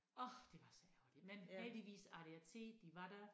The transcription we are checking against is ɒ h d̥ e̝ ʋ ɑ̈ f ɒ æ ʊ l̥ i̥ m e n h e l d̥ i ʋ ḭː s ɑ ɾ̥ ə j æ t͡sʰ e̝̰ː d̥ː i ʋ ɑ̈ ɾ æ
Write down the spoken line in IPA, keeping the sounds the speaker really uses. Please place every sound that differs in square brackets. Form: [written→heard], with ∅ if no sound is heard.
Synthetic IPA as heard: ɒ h d̥ e̝ ʋ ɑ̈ [f→s] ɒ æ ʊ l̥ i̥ m e n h e l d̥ i ʋ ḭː s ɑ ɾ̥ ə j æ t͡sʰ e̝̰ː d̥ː i ʋ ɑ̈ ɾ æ